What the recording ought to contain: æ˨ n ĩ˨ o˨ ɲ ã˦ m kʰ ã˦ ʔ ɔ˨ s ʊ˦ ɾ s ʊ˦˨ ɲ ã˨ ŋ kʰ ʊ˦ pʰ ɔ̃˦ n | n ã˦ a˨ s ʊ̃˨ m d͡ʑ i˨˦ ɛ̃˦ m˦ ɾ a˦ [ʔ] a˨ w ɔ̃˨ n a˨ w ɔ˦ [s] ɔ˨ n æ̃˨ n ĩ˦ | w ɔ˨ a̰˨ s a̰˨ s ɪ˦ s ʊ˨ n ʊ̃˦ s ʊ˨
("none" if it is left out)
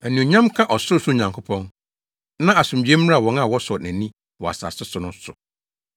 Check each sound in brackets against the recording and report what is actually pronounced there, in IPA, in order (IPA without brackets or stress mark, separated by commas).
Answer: none, s